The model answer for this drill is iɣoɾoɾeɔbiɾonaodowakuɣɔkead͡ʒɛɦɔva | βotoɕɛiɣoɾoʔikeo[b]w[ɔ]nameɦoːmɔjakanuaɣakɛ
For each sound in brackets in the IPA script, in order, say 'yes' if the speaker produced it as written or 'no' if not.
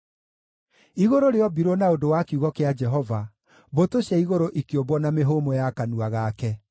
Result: yes, yes

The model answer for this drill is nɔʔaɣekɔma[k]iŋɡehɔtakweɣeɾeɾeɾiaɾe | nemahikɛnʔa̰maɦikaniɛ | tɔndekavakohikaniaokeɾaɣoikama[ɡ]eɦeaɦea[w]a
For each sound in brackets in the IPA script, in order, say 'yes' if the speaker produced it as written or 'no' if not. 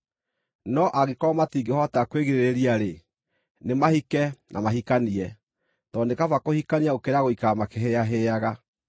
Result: no, no, no

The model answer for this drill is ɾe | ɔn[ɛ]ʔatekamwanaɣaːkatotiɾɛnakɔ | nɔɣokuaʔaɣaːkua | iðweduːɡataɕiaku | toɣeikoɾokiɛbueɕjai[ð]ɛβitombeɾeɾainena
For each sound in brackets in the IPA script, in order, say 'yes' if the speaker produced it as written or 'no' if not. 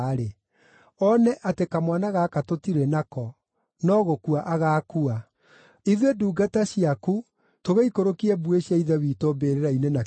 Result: yes, yes

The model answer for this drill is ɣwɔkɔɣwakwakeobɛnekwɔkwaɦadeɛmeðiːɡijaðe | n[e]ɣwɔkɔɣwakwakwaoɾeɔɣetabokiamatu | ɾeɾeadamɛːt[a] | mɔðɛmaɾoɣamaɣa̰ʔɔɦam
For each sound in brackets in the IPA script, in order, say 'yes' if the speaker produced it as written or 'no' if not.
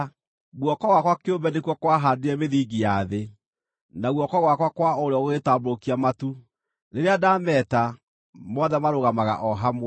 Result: no, yes

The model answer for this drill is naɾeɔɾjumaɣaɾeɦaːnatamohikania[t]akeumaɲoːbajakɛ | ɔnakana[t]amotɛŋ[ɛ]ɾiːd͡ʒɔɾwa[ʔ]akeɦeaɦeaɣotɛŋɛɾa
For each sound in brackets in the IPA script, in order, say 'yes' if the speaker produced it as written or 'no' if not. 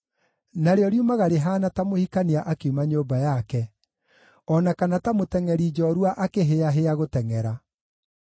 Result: no, yes, yes, yes

